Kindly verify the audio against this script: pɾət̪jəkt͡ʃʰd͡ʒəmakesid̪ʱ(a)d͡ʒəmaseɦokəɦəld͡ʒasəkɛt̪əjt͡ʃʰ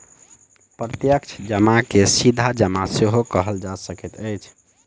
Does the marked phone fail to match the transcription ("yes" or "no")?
no